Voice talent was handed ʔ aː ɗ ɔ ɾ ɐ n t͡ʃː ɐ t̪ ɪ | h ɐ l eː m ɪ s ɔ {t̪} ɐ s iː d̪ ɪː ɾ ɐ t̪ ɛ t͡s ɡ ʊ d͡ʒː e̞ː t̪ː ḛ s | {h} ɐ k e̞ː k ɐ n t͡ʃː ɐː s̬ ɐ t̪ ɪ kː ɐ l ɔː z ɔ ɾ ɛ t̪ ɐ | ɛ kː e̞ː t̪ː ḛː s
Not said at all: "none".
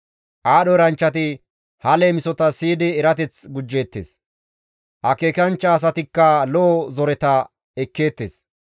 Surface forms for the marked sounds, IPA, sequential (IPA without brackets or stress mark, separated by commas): t̪, h